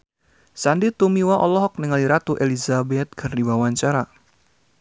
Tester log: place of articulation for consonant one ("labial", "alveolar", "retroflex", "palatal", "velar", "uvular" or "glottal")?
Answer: alveolar